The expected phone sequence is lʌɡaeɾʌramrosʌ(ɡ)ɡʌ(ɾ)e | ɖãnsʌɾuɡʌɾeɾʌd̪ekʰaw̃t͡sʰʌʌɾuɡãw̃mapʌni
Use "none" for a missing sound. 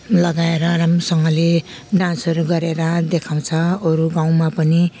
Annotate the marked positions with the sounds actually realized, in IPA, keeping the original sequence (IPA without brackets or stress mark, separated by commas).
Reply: ŋ, l